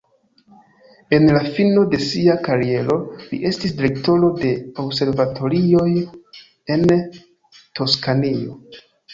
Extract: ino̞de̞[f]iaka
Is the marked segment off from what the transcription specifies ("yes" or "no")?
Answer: yes